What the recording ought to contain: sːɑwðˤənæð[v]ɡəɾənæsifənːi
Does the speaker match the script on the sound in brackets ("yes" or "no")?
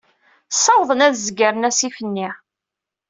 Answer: no